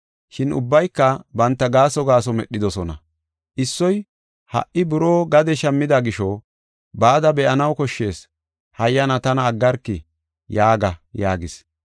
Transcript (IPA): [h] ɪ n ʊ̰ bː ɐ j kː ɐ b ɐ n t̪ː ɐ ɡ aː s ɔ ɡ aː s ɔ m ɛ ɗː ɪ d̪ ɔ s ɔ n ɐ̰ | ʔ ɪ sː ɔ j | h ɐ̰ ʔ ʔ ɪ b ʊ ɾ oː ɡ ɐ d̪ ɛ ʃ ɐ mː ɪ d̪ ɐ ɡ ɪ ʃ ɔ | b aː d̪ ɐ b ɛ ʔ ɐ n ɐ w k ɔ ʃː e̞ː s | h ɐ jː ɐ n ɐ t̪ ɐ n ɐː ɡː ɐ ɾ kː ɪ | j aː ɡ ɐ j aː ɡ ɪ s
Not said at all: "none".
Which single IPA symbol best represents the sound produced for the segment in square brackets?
ʃ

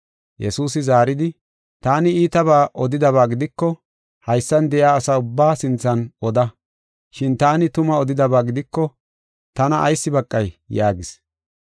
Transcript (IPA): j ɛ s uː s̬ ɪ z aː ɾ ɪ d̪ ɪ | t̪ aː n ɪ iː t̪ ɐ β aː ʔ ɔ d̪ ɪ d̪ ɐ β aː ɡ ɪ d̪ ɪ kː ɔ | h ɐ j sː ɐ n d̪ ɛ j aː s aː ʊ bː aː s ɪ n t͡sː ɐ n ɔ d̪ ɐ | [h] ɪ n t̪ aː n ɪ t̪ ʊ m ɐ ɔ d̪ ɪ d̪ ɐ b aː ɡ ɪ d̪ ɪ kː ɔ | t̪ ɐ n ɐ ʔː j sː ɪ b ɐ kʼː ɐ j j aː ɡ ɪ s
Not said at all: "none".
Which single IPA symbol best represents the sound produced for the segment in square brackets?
ʃ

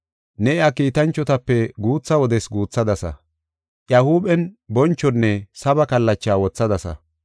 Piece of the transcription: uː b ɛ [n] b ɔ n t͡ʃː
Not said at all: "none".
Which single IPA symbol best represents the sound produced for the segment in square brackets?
n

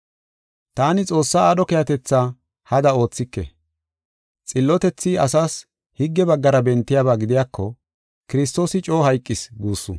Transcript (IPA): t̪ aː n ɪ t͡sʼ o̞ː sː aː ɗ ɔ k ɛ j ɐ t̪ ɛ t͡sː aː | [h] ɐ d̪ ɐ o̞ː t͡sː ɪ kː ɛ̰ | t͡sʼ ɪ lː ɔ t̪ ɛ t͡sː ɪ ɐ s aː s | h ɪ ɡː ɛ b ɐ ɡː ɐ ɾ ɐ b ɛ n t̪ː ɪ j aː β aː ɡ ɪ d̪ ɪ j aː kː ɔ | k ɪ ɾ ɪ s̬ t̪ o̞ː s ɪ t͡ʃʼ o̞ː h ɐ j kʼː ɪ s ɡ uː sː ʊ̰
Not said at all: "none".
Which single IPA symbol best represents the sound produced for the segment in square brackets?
h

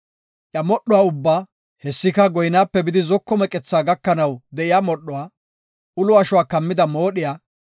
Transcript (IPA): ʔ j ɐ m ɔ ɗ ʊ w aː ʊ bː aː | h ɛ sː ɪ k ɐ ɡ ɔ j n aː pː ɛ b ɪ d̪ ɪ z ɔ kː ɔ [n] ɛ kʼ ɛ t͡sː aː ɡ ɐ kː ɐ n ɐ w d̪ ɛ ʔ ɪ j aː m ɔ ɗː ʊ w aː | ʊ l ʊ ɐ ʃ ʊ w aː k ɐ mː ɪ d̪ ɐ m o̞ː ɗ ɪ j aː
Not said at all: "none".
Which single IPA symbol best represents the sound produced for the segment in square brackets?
m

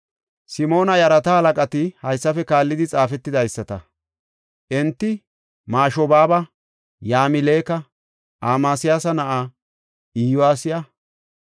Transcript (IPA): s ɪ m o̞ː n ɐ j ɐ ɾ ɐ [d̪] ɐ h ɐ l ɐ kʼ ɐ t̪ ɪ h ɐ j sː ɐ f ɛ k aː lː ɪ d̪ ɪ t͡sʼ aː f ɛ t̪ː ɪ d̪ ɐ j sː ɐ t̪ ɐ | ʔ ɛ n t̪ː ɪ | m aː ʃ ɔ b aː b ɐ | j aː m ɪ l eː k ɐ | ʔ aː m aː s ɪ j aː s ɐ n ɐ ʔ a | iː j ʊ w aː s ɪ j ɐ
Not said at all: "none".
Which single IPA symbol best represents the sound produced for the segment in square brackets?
t̪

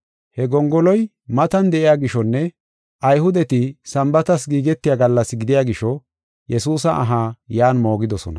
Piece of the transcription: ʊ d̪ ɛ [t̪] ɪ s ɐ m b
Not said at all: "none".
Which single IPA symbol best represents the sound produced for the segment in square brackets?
t̪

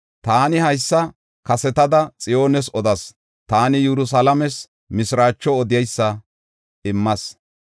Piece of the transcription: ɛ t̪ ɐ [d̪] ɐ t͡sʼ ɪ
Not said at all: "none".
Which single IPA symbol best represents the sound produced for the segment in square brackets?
d̪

